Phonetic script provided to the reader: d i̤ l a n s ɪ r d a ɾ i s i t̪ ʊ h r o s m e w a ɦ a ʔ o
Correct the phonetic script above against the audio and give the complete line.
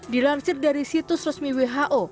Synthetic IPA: d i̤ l a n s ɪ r d a ɾ i s i t̪ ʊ s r ɔ s m i w e ɦ a ʔ o